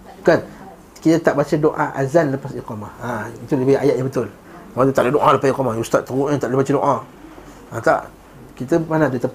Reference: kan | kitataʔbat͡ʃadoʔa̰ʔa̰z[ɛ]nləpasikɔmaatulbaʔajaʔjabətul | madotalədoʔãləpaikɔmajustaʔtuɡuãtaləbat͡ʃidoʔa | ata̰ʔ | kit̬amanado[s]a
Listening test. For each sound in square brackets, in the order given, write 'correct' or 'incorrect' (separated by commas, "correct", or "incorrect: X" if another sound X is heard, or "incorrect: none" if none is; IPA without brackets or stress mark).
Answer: incorrect: a, incorrect: t